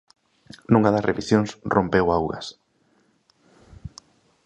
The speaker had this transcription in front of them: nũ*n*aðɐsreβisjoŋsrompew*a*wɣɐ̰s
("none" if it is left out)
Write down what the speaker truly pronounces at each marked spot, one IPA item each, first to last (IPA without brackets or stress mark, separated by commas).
ŋ, a